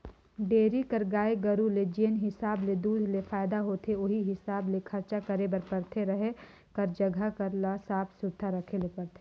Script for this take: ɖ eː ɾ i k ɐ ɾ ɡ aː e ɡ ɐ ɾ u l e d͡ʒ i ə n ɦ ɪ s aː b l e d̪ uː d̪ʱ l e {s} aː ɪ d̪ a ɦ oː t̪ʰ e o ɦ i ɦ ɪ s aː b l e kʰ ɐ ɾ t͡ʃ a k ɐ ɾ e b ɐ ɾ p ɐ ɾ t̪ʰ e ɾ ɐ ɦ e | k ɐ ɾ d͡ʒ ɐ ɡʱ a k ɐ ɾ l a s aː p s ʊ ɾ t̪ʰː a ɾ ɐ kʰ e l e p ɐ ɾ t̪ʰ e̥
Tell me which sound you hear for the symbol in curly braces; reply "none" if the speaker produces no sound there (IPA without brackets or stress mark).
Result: f